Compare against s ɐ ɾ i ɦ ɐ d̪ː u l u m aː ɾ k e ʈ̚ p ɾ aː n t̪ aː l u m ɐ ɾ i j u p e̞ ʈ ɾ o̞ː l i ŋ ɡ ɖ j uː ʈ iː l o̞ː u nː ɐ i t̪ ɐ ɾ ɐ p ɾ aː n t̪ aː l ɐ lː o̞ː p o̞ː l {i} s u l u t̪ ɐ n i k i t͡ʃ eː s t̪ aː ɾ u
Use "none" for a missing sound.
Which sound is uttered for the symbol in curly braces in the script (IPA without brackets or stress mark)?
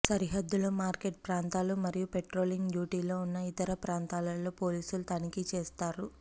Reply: iː